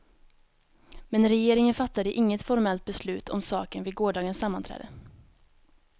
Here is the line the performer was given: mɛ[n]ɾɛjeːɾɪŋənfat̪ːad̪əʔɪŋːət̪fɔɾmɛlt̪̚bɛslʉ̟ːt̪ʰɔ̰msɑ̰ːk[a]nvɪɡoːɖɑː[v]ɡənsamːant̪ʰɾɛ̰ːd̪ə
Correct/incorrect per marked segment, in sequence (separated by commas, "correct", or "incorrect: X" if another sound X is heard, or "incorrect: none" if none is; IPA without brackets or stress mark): correct, incorrect: ə, incorrect: none